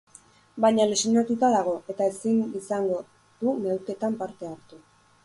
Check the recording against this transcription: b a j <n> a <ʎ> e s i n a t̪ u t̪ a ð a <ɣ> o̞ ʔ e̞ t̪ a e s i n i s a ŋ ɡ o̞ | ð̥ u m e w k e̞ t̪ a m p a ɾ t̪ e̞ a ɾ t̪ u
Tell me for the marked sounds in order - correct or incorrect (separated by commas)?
incorrect, incorrect, correct